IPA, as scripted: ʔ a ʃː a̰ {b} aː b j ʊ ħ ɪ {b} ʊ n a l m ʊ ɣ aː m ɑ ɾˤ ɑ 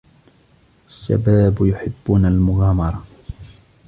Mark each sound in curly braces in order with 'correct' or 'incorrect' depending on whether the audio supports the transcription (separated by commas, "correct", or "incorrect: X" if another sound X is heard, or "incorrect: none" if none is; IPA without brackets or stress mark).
correct, incorrect: bː